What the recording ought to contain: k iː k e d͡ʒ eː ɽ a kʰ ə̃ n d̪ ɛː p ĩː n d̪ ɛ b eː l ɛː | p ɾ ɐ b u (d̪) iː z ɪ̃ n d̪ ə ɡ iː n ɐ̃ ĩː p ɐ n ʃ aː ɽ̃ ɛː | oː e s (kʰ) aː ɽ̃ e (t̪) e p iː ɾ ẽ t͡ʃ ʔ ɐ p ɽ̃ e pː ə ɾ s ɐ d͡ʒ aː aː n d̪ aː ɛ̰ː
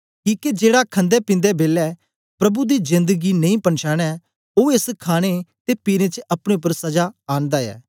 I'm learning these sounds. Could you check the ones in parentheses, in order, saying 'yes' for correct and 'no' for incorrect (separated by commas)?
yes, yes, yes